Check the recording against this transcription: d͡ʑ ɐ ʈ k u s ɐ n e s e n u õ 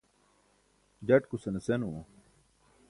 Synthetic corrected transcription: d͡ʑ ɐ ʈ k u s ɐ n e s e n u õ